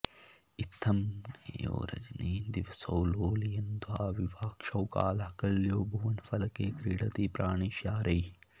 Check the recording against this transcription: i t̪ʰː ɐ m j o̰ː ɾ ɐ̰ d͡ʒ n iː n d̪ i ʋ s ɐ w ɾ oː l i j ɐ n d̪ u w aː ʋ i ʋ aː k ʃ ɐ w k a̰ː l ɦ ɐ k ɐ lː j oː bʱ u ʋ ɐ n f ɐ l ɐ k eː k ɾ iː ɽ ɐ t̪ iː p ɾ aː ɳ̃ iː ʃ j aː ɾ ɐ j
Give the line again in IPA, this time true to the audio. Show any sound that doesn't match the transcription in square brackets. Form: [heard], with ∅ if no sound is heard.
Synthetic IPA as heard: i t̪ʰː ɐ m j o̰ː ɾ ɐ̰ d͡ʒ n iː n d̪ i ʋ s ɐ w [l] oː l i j ɐ n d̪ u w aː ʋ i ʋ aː k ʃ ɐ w k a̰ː l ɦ ɐ k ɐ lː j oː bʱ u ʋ ɐ n f ɐ l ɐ k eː k ɾ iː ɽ ɐ t̪ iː p ɾ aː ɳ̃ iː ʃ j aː ɾ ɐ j